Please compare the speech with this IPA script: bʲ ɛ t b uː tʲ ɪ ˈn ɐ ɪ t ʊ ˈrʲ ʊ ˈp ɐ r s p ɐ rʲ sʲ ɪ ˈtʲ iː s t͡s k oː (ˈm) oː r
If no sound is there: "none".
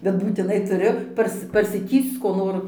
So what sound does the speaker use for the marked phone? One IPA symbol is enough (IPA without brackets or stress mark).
n